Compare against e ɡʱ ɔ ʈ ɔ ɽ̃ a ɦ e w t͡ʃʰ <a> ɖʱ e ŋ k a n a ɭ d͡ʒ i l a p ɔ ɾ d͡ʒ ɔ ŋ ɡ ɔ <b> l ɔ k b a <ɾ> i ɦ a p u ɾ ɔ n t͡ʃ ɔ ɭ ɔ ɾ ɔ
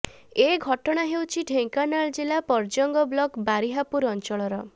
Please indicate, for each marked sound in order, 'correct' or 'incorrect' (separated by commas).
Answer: incorrect, correct, correct